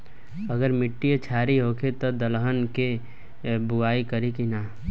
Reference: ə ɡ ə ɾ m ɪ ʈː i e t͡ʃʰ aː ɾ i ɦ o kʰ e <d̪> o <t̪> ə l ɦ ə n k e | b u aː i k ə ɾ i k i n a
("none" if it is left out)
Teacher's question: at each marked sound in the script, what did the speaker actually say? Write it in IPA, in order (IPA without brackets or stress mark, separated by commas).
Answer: t̪, d̪